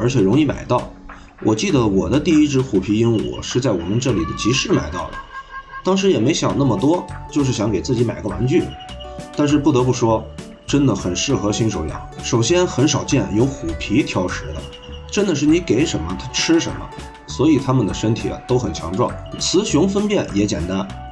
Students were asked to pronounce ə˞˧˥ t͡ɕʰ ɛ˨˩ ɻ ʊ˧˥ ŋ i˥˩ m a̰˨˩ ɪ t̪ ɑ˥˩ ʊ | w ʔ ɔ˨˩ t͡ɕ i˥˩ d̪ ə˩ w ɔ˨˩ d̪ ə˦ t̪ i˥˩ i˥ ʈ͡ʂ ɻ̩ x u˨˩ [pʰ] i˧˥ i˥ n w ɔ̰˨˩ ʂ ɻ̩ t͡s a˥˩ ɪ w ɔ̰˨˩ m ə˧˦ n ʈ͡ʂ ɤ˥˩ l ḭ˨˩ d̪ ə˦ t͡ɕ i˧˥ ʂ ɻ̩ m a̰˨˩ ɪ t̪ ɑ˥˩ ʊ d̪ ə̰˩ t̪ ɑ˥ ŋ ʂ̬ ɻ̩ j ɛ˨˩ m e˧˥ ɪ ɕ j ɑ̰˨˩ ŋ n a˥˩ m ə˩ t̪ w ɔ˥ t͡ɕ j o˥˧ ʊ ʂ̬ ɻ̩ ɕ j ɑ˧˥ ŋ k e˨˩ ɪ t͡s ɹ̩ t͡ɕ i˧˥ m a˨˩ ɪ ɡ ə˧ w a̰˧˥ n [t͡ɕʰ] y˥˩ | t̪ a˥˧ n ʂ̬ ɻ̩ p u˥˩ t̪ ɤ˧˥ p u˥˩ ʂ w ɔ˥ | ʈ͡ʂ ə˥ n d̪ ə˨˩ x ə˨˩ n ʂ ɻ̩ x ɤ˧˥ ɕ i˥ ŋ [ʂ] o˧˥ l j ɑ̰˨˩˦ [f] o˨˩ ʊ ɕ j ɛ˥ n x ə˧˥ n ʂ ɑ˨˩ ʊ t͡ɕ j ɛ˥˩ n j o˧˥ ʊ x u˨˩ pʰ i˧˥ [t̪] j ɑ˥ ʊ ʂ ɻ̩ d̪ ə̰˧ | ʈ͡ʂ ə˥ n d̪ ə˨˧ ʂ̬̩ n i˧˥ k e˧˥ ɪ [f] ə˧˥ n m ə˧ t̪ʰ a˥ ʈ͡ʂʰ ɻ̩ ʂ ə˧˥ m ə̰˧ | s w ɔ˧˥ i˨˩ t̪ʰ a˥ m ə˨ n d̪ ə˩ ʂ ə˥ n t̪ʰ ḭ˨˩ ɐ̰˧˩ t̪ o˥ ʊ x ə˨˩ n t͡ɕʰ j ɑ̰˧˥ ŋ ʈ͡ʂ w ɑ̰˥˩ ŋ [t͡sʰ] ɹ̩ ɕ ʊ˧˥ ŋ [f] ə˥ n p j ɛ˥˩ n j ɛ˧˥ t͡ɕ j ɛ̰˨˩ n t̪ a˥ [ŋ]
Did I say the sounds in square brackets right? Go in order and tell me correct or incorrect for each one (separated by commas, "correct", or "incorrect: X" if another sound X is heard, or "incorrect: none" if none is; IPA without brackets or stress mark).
correct, incorrect: t͡ɕ, correct, incorrect: ʂ, incorrect: t̪ʰ, incorrect: ʂ, correct, correct, incorrect: n